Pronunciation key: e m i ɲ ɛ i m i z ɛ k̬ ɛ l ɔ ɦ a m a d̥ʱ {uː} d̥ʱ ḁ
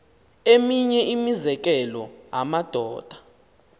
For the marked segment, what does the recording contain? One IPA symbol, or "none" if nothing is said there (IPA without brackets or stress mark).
ɔː